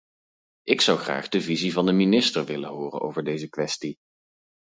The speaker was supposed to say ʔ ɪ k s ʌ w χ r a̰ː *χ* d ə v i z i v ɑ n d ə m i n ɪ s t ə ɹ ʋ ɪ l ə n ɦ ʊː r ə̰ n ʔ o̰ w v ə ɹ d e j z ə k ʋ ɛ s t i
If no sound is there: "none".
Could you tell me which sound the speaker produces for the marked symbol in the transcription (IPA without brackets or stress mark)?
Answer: χ